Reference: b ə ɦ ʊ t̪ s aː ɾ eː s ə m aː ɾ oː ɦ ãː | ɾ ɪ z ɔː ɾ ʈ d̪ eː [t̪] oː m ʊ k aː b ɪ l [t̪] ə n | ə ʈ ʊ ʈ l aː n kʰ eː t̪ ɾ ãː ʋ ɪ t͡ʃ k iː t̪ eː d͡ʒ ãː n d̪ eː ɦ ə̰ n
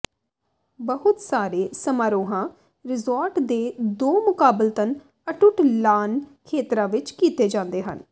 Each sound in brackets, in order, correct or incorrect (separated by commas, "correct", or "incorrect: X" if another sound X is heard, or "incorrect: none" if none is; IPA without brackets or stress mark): incorrect: d̪, correct